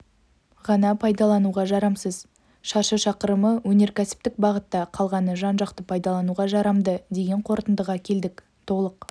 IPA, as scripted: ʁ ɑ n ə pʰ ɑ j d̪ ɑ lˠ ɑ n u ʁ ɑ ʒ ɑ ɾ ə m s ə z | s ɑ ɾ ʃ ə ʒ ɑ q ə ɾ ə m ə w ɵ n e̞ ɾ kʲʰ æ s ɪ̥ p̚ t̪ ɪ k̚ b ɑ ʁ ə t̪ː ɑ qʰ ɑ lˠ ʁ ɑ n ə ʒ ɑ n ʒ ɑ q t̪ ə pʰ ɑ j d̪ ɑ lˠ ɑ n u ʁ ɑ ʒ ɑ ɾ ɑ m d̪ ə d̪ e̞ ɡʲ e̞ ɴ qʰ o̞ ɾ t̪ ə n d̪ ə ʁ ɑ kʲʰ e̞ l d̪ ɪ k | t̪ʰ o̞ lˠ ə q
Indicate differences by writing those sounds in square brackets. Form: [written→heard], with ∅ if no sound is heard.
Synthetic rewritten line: ʁ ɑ n [ə→ɑ] pʰ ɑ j d̪ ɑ lˠ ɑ n u ʁ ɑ ʒ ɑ ɾ [ə→ɑ] m s ə z | [s→ʃ] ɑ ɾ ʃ ə [ʒ→ʃ] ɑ q ə ɾ ə m ə w ɵ n e̞ ɾ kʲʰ æ s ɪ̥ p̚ t̪ ɪ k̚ b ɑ ʁ ə t̪ː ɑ qʰ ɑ lˠ ʁ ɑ n ə ʒ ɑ n ʒ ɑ q t̪ ə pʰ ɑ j d̪ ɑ lˠ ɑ n u ʁ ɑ ʒ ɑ ɾ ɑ m d̪ ə d̪ e̞ ɡʲ e̞ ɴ qʰ o̞ ɾ t̪ ə n d̪ ə ʁ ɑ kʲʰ e̞ l d̪ ɪ k | t̪ʰ o̞ lˠ ə q